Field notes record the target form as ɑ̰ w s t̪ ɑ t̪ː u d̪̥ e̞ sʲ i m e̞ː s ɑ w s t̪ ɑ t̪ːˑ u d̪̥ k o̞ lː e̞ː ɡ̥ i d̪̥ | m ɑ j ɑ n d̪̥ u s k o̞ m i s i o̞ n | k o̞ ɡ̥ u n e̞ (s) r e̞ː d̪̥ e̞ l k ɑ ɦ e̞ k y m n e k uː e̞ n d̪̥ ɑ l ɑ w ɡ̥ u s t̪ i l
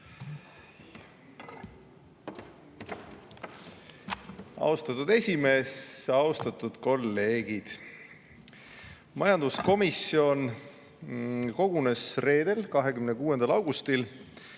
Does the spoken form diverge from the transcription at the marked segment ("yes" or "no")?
no